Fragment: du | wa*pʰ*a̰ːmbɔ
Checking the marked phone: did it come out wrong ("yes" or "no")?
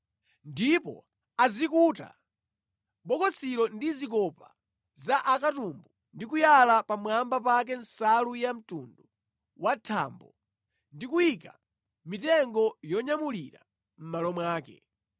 yes